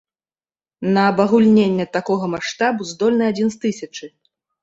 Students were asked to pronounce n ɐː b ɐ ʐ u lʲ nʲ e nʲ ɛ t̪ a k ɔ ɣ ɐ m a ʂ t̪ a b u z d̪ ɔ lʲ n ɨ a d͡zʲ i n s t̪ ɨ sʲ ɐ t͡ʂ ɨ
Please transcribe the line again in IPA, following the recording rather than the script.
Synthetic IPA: n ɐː b ɐ ɣ u lʲ nʲ e nʲː ɛ t̪ a k ɔ ɣ ɐ m a ʂ t̪ a b u z d̪ ɔ lʲ n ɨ a d͡zʲ i n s t̪ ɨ sʲ ɐ t͡ʂ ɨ

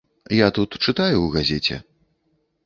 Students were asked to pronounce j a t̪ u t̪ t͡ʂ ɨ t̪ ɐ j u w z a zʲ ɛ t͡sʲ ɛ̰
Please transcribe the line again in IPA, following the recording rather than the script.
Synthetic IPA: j a t̪ u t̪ t͡ʂ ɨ t̪ a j u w ɣ a zʲ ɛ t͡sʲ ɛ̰

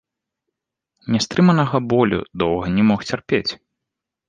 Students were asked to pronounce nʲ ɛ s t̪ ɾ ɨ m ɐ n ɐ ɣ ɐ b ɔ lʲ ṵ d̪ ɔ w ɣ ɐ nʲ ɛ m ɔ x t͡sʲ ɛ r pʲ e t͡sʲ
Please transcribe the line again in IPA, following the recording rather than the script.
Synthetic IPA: nʲ ɛ s t̪ ɾ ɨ m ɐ n ɐ ɣ ɐ b ɔ lʲ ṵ d̪ ɔ w ɣ ɐ nʲ ɛ m ɔ x t͡sʲ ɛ r pʲ e t͡sʲ

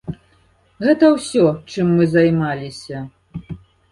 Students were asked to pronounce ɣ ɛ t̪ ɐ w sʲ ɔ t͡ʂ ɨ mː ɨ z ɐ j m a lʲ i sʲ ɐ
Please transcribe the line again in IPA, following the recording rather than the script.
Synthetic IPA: ɣ ɛ t̪ ɐ w sʲ ɔ t͡ʂ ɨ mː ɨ z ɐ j m a lʲ i sʲ ɐ

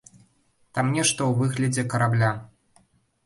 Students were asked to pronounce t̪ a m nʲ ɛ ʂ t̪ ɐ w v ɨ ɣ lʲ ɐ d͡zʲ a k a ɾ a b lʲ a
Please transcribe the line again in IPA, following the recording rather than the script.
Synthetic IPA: t̪ a m nʲ ɛ ʂ t̪ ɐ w v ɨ ɣ lʲ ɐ d͡zʲ ɛ k ɐ ɾ a b lʲ a

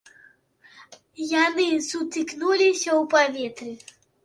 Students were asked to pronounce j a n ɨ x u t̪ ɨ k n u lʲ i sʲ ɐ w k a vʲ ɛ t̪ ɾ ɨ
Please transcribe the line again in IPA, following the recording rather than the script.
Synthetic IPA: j a n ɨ s u t̪ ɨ k n u lʲ i sʲ ɐ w p a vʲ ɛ t̪ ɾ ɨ

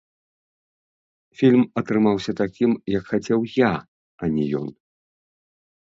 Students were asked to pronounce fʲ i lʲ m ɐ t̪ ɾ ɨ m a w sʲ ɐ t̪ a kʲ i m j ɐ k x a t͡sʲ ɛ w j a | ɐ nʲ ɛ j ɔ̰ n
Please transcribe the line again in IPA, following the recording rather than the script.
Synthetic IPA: fʲ i lʲ m ɐ t̪ ɾ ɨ m a w sʲ ɐ t̪ a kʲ i m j ɐ k x a t͡sʲ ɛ w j a | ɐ nʲ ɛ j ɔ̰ n

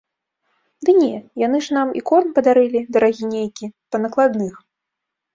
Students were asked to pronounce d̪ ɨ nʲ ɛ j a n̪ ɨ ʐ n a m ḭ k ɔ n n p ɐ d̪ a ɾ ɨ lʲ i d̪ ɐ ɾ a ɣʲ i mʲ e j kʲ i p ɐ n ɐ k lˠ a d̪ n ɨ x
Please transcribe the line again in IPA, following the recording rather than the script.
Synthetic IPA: d̪ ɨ nʲ ɛ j a n̪ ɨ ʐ n a m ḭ k ɔ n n p ɐ d̪ a ɾ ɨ lʲ i d̪ ɐ ɾ a ɣʲ i nʲ e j kʲ i p ɐ n ɐ k lˠ a d̪ n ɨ x

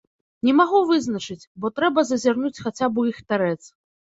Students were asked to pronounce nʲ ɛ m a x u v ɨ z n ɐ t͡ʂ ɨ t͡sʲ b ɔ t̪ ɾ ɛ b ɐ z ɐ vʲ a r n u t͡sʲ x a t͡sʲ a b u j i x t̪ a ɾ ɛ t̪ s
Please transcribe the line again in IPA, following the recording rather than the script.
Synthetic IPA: nʲ ɛ m a ɣ u v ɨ z n ɐ t͡ʂ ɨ t͡sʲ b ɔ t̪ ɾ ɛ b ɐ z ɐ zʲ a r n u t͡sʲ x a t͡sʲ a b u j i x t̪ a ɾ ɛ t̪ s

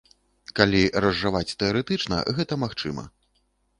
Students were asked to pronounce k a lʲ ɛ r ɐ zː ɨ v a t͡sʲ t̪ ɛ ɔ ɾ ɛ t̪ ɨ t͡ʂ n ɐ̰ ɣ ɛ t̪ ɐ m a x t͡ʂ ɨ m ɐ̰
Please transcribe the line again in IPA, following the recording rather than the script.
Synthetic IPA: k a lʲ i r ɐ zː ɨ v a t͡sʲ t̪ ɛ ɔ ɾ ɛ t̪ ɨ t͡ʂ n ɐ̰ ɣ ɛ t̪ ɐ m a x t͡ʂ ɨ m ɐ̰

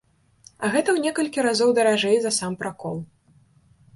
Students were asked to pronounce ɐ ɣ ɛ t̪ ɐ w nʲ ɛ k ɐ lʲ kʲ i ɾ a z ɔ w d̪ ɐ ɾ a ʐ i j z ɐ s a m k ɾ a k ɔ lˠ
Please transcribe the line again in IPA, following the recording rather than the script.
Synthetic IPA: ɐ ɣ ɛ t̪ ɐ w nʲ ɛ k ɐ lʲ kʲ i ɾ a z ɔ w d̪ ɐ ɾ a ʐ ɛ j z ɐ s a m p ɾ a k ɔ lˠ

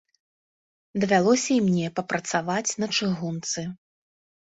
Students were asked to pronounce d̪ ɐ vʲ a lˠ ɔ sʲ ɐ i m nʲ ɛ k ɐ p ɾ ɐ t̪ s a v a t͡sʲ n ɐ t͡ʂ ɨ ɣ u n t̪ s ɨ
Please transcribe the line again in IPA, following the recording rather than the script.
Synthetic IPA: d̪ ɐ vʲ a lˠ ɔ sʲ ɐ i m nʲ ɛ p ɐ p ɾ ɐ t̪ s a v a t͡sʲ n ɐ t͡ʂ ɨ ɣ u n t̪ s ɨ

